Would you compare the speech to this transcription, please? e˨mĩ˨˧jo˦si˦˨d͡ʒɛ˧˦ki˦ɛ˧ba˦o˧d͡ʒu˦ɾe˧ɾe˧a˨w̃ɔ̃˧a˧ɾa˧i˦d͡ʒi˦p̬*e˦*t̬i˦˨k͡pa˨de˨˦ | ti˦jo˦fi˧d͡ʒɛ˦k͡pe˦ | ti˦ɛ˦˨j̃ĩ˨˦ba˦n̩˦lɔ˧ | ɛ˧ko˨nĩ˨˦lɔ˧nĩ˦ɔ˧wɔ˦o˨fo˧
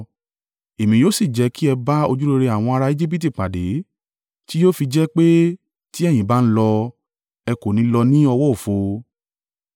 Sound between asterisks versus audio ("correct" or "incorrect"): incorrect